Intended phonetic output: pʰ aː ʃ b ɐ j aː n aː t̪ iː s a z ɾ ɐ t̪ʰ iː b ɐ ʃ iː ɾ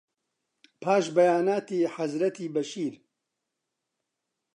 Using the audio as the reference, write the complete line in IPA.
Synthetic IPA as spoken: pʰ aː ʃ b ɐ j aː n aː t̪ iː ħ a z ɾ ɐ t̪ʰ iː b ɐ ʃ iː ɾ